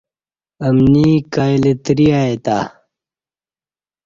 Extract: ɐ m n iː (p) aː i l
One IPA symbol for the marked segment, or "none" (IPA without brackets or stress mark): k